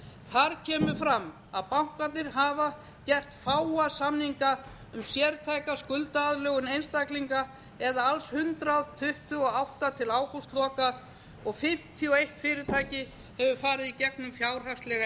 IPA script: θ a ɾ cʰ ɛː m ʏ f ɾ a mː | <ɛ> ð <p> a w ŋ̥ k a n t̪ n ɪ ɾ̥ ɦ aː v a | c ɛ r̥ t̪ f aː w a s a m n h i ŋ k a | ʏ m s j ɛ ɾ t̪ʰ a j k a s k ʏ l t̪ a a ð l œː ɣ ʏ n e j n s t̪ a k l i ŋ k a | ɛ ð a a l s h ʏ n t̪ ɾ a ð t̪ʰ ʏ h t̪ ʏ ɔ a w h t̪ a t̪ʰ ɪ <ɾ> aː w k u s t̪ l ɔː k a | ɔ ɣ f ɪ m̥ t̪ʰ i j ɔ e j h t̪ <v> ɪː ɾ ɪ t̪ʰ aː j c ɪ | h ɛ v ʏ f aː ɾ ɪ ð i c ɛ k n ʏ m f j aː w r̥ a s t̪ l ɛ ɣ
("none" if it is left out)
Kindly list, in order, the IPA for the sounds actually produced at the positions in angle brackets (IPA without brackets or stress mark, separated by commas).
a, p, l, f